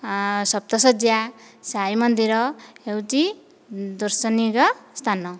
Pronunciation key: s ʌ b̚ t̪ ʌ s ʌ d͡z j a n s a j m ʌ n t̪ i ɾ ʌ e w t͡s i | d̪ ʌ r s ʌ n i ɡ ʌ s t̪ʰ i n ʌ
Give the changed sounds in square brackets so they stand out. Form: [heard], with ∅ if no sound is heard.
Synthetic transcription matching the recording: s ʌ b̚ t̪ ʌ s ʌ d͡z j a [∅] s a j m ʌ n [d̪] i ɾ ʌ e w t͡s i | d̪ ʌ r s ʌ n i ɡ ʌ s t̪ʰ [a] n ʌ